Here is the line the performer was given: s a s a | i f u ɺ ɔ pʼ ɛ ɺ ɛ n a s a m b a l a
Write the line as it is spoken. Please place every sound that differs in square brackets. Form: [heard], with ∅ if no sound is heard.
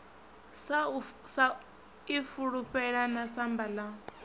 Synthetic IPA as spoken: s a s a | i f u ɺ [u] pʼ ɛ ɺ [a] n a s a m b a l a